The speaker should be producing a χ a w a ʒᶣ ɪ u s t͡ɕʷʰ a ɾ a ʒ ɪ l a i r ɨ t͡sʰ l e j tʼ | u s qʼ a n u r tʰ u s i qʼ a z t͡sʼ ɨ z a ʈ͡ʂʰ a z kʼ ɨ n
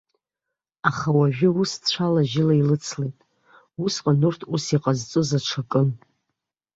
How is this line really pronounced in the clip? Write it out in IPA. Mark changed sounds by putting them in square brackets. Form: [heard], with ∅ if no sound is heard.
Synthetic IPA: a χ a w a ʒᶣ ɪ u s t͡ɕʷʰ a [l] a ʒ ɪ l a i [l] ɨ t͡sʰ l e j tʼ | u s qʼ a n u r tʰ u s i qʼ a z t͡sʼ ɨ z a ʈ͡ʂʰ a [∅] kʼ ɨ n